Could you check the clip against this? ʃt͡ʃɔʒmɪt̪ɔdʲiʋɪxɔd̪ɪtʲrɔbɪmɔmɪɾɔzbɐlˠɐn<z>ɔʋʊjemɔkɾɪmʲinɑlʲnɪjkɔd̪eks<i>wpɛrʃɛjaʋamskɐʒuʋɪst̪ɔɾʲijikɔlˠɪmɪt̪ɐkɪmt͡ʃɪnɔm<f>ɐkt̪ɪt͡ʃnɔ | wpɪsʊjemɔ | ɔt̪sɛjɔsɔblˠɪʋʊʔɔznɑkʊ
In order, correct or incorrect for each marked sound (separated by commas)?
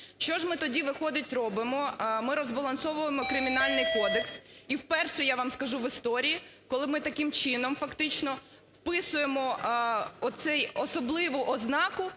incorrect, correct, correct